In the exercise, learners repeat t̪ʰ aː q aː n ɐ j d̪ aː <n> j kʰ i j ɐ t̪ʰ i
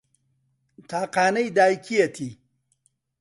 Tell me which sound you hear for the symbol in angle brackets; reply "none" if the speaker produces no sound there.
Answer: none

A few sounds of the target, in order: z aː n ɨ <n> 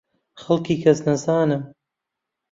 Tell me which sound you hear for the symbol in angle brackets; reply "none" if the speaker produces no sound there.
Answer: m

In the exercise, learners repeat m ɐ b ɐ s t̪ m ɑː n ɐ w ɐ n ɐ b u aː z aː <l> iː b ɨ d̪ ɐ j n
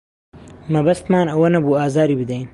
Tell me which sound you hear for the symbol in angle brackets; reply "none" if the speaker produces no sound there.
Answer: ɾ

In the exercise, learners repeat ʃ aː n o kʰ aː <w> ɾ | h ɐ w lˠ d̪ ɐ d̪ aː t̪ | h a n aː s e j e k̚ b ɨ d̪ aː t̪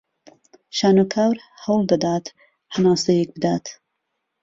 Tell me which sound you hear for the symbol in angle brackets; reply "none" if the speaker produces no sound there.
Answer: w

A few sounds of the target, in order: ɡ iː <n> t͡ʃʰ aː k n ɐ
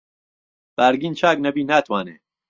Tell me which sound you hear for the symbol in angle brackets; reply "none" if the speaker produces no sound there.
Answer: n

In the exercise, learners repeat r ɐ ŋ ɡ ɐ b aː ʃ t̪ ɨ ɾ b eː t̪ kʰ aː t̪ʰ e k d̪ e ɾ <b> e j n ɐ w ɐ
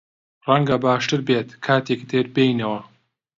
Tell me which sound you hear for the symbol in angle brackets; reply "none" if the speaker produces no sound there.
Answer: b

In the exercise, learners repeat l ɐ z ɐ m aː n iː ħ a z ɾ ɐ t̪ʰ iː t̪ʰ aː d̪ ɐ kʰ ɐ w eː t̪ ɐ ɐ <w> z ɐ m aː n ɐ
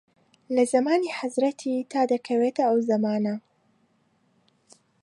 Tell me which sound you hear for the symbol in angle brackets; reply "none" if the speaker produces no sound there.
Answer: w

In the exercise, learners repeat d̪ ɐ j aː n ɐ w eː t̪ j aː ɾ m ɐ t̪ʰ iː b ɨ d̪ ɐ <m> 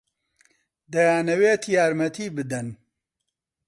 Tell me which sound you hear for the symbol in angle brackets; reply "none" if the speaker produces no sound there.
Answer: n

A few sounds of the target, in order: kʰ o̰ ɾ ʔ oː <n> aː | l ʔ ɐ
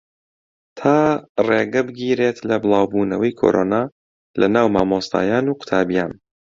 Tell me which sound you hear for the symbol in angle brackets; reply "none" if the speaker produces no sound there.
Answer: n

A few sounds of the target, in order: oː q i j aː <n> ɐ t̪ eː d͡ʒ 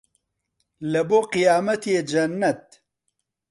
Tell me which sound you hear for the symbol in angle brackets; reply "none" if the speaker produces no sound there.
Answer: m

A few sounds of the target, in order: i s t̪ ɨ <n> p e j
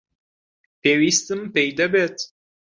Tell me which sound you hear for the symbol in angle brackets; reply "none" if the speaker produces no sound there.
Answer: m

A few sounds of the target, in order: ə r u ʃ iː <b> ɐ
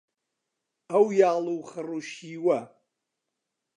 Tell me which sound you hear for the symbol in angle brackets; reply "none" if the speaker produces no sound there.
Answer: w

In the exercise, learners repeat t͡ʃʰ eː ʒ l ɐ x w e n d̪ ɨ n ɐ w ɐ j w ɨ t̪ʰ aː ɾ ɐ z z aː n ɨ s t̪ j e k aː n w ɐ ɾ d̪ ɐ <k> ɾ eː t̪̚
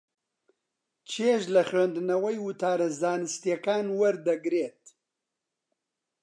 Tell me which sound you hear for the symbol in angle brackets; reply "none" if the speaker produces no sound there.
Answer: ɡ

